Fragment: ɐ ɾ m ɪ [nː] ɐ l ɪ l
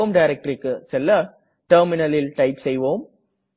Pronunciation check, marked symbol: incorrect: n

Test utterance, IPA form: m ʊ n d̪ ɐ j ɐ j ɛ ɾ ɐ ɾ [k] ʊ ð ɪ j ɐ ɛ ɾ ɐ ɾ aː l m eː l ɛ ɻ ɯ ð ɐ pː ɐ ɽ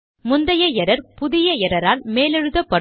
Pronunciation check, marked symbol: incorrect: p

